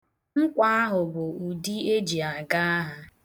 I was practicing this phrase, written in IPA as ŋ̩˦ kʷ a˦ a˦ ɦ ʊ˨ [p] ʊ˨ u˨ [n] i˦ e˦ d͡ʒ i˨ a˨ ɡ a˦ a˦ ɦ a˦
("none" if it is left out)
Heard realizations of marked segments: b, d

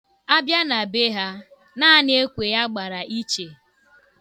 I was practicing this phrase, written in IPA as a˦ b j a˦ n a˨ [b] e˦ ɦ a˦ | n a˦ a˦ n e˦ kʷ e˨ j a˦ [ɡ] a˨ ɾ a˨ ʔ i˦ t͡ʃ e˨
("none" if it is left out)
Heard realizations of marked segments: b, ɡ͡b

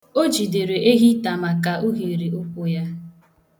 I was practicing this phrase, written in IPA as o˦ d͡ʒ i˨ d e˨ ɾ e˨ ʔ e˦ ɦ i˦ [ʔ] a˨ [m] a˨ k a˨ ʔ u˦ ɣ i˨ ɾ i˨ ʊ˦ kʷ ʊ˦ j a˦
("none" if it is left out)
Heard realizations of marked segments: t, m

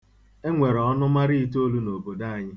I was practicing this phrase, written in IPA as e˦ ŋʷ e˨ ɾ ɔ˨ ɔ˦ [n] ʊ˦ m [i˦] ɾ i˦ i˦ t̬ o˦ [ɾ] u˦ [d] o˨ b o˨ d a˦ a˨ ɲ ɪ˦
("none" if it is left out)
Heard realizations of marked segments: n, a˦, l, n

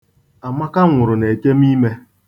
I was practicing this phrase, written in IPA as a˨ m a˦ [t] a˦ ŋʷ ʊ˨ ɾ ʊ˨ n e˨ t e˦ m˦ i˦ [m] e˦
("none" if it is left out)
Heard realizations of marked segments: k, m

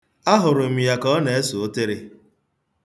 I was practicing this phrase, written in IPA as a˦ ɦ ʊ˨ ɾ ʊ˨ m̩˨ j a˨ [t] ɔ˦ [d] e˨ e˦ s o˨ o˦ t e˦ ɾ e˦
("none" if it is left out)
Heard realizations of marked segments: k, n

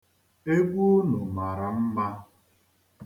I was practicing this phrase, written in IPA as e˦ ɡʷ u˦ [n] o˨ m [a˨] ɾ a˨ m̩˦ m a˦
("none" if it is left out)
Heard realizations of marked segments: n, a˨

